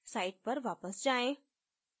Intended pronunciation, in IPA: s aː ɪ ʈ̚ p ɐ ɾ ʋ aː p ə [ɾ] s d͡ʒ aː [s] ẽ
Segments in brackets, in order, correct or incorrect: incorrect: none, incorrect: none

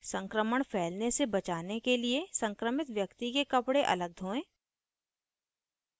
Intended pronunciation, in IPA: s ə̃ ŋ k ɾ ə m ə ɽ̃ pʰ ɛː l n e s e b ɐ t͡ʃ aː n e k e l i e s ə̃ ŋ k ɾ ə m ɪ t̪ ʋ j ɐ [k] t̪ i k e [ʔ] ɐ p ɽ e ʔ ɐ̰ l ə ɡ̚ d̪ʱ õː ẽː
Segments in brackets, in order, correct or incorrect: correct, incorrect: k

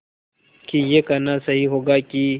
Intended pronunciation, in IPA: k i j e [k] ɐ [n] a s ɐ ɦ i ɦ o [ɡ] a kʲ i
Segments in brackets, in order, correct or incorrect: correct, correct, correct

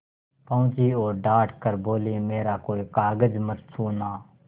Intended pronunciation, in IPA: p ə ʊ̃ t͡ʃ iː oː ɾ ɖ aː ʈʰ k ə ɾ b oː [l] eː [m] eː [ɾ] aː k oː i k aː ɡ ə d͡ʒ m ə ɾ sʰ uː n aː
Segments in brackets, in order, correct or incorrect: correct, correct, correct

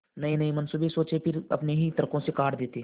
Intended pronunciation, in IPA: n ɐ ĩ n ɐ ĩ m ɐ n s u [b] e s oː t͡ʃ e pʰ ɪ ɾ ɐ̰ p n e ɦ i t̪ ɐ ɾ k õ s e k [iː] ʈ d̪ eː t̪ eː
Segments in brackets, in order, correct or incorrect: correct, incorrect: aː

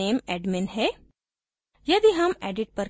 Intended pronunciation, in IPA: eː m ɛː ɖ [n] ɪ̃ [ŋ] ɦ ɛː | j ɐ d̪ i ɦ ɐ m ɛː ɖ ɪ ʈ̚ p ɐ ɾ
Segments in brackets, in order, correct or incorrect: incorrect: m, incorrect: n

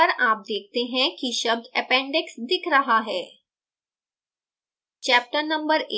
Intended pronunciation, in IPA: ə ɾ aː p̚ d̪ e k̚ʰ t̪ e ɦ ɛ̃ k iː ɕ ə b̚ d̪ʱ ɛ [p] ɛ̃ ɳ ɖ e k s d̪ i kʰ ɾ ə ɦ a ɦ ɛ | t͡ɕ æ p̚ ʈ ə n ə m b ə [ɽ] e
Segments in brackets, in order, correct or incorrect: correct, incorrect: ɾ

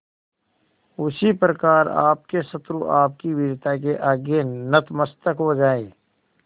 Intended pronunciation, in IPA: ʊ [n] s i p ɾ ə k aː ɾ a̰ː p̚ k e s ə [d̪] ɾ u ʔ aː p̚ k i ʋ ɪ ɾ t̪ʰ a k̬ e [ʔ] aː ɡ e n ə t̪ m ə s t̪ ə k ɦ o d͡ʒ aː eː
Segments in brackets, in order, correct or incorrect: incorrect: none, incorrect: t̪, correct

